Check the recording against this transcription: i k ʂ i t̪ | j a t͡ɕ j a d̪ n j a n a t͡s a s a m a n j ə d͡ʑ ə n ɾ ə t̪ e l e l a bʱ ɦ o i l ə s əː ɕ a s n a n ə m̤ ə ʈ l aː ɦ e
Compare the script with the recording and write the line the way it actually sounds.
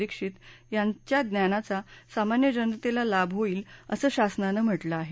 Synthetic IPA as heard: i k ʂ i t̪ | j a t͡ɕ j a d̪ n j a n a t͡s a s a m a n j ə d͡ʑ ə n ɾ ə t̪ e l a l a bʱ ɦ o iː l ə s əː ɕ a s n a n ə m̤ ə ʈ l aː ɦ e

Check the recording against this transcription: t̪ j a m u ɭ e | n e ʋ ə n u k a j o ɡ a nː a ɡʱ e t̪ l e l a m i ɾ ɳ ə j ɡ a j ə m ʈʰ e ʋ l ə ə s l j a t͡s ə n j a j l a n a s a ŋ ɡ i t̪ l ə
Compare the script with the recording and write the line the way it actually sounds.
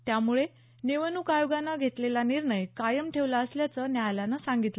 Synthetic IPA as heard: t̪ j a m u ɭ e | n e ʋ ə n u k a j o ɡ a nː a ɡʱ e t̪ l e l a n i ɾ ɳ ə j k a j ə m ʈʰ e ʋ l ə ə s l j a t͡s ə n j a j l a n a s a ŋ ɡ i t̪ l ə

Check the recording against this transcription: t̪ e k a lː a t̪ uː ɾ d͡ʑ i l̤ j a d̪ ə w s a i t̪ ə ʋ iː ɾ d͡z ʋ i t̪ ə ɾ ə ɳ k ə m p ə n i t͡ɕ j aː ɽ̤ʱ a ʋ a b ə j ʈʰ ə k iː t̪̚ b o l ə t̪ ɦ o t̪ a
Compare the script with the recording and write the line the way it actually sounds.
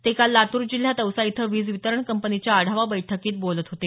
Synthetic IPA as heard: t̪ e k a lː a t̪ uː ɾ d͡ʑ i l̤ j a t̪ ə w s a i t̪ʰ ə ʋ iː d͡z ʋ i t̪ ə ɾ ə ɳ k ə m p ə n i t͡ɕ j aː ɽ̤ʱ a ʋ a b ə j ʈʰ ə k iː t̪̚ b o l ə t̪ ɦ o t̪ e

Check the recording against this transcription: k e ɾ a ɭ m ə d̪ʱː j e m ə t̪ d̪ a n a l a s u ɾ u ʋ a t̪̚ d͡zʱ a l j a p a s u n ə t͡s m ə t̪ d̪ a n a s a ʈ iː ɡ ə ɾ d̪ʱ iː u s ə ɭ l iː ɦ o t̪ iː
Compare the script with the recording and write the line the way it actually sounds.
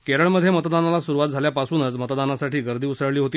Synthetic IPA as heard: k e ɾ ə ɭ m ə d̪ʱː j e m ə t̪ d̪ a n a l a s u ɾ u ʋ a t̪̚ d͡zʱ a l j a p a s uː n ə t͡s m ə t̪ d̪ a n a s a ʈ iː ɡ ə ɾ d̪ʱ iː u s ə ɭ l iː ɦ o t̪ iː

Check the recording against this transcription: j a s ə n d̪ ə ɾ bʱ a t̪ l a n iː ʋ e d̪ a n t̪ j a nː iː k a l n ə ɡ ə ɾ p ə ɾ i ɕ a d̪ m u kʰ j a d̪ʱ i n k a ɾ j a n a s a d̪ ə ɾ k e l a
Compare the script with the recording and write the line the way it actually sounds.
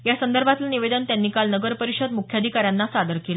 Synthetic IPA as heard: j a s ə n d̪ ə ɾ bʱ a t̪ l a n i ʋ e d̪ ə n t̪ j a nː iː k a l n ə ɡ ə ɾ p ə ɾ i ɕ ə d̪ m u kʰ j a d̪ʱ i k a ɾ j a nː a s a d̪ ə ɾ k e l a

